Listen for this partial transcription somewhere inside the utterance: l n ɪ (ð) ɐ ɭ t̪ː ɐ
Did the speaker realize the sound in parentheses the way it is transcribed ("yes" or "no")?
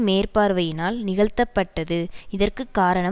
no